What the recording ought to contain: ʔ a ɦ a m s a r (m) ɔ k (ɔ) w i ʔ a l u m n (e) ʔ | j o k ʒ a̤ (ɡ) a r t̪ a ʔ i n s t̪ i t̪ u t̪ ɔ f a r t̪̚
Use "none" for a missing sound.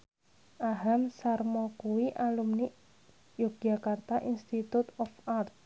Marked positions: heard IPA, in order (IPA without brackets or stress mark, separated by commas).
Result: m, u, i, k